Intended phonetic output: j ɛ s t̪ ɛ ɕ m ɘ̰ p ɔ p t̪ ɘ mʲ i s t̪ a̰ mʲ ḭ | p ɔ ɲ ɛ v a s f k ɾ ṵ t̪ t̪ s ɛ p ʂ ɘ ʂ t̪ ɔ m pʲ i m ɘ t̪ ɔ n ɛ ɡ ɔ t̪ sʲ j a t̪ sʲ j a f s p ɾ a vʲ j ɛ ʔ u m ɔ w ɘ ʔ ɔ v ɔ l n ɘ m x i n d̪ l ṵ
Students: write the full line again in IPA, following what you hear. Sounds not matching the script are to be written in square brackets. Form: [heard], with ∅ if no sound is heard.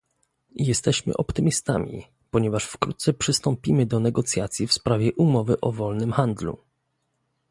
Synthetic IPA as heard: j ɛ s t̪ ɛ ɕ m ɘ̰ [ʔ] ɔ p t̪ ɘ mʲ i s t̪ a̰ mʲ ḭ | p ɔ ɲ ɛ v a [ʂ] f k ɾ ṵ t̪ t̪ s ɛ p ʂ ɘ [s] t̪ ɔ m pʲ i m ɘ [d̪] ɔ n ɛ ɡ ɔ t̪ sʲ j a t̪ sʲ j [i] f s p ɾ a vʲ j ɛ ʔ u m ɔ [v] ɘ ʔ ɔ v ɔ l n ɘ m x [a] n d̪ l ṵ